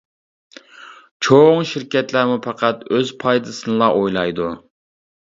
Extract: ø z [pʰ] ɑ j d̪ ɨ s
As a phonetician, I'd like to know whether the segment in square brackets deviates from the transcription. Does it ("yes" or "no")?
no